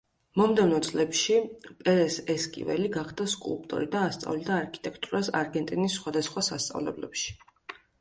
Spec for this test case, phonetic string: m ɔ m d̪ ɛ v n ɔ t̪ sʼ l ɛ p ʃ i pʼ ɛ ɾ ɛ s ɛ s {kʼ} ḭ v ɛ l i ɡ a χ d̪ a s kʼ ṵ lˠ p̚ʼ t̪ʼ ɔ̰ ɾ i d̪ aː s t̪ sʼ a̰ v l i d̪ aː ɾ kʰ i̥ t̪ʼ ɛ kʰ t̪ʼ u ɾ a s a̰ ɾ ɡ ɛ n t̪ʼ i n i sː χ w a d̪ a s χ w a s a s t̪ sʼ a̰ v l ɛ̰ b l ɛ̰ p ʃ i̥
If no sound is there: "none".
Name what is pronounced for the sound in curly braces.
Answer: kʼ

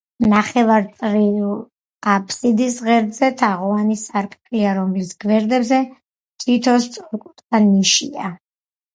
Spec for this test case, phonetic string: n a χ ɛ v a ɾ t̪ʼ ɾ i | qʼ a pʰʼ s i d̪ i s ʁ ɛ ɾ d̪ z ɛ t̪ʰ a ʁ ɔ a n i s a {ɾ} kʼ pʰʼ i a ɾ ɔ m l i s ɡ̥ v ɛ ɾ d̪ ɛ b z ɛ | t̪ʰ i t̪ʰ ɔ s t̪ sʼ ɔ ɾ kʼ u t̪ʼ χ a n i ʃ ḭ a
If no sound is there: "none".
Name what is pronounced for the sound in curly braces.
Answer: ɾ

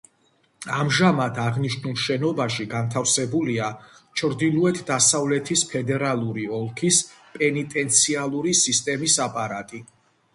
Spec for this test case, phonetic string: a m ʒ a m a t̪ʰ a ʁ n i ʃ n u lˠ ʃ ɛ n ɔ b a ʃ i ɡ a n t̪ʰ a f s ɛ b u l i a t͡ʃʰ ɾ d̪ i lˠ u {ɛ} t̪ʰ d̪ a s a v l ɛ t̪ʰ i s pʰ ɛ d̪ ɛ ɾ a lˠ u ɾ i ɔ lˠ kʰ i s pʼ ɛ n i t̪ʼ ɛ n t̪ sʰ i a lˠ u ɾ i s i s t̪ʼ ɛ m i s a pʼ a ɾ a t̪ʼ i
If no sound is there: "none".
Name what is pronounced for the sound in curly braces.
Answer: ɛ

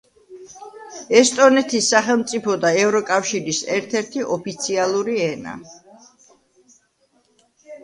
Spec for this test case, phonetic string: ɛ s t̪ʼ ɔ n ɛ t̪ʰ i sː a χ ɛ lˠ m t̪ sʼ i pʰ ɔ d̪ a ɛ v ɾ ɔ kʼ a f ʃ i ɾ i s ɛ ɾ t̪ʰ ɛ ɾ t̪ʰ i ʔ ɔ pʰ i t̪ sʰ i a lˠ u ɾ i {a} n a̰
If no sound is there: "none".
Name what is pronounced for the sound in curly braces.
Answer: ɛ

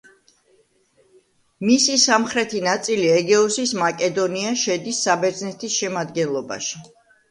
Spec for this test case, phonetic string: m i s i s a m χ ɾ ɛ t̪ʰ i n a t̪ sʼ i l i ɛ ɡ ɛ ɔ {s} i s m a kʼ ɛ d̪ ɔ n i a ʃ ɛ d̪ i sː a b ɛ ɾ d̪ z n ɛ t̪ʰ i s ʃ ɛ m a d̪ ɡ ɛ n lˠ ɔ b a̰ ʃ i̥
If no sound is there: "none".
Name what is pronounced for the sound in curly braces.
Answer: s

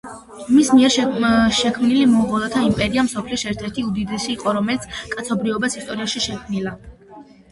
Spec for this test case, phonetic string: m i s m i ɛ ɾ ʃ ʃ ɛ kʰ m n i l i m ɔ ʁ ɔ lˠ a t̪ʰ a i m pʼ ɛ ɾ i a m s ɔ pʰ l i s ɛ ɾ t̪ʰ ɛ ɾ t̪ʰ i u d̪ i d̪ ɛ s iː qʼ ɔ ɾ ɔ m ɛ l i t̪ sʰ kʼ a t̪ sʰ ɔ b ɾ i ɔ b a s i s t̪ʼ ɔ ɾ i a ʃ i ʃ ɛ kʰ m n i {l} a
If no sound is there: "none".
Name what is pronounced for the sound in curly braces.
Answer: l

